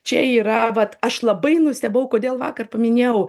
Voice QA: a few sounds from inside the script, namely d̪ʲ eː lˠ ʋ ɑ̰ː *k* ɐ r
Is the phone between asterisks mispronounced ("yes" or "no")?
no